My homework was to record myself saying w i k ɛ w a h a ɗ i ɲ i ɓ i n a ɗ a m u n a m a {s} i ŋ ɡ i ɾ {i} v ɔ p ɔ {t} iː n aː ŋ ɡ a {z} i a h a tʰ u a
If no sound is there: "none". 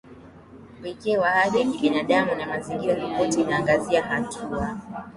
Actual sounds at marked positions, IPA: z, a, t, z

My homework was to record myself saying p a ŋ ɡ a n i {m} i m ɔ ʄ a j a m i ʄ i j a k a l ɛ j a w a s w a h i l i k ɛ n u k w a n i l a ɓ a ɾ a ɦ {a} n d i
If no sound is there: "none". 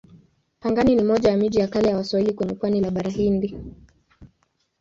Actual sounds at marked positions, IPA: n, i

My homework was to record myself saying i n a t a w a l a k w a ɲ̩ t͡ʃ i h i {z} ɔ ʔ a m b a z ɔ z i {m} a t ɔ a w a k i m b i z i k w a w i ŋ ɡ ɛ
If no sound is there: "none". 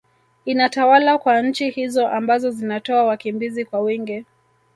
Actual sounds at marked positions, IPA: z, n

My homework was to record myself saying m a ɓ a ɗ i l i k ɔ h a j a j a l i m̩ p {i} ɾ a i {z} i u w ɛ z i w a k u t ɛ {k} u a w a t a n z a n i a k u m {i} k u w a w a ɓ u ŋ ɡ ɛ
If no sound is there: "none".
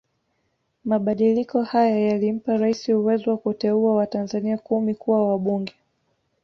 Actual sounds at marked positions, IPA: a, s, none, i

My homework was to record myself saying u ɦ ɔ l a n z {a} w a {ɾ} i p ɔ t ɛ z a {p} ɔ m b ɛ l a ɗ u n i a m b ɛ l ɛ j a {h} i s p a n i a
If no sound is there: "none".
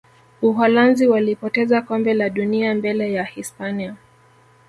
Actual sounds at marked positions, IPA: i, l, k, h

